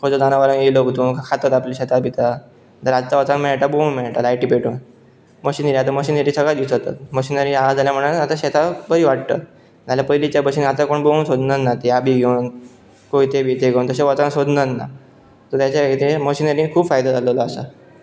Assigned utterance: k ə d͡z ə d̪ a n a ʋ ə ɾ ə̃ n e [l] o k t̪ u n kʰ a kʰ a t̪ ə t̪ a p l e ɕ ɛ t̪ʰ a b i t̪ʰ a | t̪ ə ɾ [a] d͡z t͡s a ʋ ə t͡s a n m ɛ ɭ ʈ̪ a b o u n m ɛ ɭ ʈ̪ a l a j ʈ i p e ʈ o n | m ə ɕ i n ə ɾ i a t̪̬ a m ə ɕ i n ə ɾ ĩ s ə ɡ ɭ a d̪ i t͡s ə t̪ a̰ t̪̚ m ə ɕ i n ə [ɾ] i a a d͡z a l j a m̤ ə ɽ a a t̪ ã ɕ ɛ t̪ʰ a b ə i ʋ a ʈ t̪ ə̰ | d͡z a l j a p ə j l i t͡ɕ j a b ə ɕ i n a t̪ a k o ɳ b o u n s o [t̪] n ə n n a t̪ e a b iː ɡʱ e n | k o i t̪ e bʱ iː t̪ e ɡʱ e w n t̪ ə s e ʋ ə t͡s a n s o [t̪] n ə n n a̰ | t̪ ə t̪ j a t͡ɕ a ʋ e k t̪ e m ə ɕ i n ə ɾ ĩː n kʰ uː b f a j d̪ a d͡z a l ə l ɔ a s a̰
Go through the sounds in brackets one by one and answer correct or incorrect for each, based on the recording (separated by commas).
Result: correct, correct, correct, incorrect, incorrect